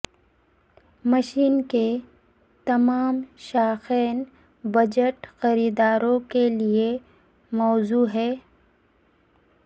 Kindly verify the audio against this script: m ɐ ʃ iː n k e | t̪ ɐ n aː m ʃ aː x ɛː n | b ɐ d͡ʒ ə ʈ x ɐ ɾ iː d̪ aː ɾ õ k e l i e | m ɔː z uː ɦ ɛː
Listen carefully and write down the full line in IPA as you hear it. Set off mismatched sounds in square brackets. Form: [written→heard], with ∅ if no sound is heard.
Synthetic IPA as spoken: m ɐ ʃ iː n k e | t̪ ɐ [n→m] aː m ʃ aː x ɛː n | b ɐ d͡ʒ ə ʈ x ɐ ɾ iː d̪ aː ɾ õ k e l i e | m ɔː z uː ɦ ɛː